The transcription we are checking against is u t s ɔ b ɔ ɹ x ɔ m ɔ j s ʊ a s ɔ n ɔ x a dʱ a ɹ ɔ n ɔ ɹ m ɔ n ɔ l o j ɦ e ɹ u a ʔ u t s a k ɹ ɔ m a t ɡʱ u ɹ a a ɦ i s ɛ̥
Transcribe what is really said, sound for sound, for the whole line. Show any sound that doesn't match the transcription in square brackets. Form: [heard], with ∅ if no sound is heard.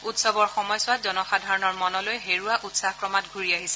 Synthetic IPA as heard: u t s ɔ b ɔ ɹ x ɔ m ɔ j s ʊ a [z] ɔ n ɔ x a dʱ a ɹ ɔ n ɔ ɹ m ɔ n ɔ l o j ɦ e ɹ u a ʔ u t s a k ɹ ɔ m a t ɡʱ u ɹ [i] a ɦ i s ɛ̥